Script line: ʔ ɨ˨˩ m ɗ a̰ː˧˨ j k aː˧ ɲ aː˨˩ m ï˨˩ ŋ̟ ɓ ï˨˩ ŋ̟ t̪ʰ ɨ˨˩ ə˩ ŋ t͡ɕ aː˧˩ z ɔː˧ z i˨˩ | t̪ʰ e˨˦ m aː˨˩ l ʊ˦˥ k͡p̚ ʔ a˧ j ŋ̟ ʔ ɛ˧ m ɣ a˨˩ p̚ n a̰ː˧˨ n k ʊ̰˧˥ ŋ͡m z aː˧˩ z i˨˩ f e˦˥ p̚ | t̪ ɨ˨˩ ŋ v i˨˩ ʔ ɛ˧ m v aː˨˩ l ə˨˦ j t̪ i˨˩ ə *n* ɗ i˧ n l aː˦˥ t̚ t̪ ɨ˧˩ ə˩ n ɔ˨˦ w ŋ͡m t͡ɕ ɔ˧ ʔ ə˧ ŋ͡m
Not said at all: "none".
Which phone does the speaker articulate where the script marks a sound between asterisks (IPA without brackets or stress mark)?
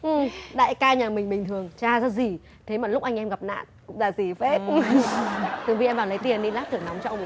n